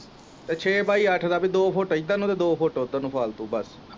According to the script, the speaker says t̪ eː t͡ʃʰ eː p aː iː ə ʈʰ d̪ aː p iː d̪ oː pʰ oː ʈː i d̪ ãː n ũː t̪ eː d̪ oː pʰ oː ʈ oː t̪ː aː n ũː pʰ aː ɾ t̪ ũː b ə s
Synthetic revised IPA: t̪ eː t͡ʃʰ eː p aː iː ə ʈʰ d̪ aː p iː d̪ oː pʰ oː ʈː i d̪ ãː n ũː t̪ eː d̪ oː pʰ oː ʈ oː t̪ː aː n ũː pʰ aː l t̪ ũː b ə s